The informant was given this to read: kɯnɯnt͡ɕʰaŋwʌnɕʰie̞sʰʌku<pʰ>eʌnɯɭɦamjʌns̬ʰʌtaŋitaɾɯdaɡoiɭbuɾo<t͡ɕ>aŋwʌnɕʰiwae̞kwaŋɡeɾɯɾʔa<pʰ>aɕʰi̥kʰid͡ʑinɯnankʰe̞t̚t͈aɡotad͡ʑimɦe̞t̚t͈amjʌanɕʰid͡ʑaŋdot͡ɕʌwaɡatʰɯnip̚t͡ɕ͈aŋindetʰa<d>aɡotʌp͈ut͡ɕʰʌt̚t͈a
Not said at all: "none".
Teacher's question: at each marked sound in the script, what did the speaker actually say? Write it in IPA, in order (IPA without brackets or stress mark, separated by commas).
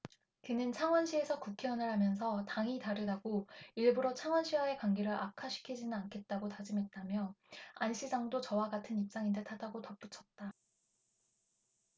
kʰ, t͡ɕʰ, kʰ, d